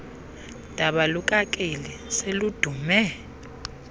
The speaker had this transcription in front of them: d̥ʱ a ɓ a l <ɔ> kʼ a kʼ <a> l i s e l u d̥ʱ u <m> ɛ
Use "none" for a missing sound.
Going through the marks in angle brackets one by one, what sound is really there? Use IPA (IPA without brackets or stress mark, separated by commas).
u, e, m